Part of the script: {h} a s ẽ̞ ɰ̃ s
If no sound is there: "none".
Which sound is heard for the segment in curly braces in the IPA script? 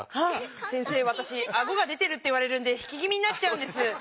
h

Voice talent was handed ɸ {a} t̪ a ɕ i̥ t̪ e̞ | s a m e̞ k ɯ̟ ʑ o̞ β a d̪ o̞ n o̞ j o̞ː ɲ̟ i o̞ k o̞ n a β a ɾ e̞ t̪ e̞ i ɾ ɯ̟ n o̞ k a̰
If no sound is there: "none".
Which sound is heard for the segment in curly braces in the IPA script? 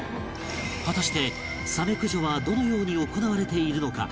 a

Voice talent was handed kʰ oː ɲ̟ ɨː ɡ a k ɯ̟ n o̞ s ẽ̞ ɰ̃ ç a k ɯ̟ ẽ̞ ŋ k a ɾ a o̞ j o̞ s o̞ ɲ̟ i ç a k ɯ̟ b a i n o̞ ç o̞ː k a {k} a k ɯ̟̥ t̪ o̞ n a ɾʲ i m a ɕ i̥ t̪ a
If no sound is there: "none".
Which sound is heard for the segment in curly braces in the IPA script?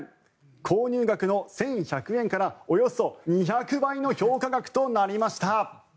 ɡ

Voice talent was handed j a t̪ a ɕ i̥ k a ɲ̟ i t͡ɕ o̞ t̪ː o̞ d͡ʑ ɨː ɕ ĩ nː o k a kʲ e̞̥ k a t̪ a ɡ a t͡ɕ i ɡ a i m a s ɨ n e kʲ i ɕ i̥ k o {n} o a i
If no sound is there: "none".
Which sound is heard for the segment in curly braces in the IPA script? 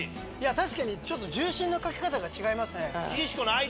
n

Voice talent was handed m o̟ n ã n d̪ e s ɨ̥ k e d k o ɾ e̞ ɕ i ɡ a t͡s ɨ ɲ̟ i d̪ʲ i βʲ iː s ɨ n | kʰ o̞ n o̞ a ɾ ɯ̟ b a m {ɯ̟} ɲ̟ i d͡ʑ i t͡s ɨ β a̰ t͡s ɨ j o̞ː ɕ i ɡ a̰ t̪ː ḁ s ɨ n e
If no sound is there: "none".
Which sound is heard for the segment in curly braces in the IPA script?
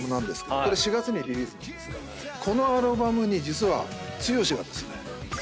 ɯ̟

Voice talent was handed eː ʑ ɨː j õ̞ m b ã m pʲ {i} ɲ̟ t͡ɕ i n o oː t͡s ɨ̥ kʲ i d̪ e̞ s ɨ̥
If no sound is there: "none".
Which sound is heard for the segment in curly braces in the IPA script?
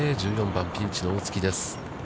ĩ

